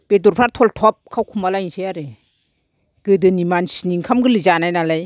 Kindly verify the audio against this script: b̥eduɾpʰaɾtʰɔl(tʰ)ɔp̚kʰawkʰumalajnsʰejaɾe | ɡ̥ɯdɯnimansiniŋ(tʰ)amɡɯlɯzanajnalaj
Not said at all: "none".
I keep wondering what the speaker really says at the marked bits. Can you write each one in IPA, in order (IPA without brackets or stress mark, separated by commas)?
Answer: tʰ, kʰ